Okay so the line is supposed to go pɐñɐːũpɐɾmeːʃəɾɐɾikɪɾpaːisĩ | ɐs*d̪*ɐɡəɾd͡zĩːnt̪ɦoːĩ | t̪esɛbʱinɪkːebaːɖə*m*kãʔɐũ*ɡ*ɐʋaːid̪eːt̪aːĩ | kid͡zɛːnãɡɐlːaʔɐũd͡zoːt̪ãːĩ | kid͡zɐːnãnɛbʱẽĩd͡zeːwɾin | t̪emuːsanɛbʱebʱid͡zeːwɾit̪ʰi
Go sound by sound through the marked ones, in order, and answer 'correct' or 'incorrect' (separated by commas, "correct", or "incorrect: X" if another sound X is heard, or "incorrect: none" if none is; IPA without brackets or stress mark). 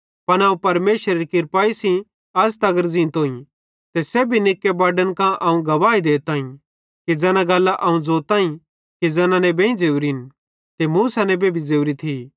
incorrect: t̪, incorrect: n, correct